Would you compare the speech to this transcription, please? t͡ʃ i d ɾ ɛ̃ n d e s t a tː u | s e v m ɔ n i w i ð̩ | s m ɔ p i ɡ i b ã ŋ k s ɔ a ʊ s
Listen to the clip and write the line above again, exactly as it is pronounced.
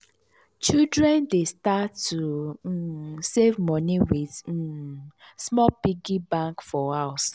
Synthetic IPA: t͡ʃ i d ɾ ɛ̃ n d e s t a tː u | s e v m ɔ n i w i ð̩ | s m ɔ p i ɡ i b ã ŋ k f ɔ a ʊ s